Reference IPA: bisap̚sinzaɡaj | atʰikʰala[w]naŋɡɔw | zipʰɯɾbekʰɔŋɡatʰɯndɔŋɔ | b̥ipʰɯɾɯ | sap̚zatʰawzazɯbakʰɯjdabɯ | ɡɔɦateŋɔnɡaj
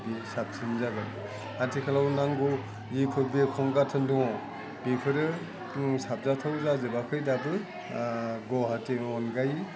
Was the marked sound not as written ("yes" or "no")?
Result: no